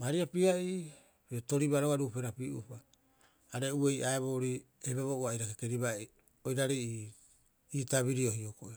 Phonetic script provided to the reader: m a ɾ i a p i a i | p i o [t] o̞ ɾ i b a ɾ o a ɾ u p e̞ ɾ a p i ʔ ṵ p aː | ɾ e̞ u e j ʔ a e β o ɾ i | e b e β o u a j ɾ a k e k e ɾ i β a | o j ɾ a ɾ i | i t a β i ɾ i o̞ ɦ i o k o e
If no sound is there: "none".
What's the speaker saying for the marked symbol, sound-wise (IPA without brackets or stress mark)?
t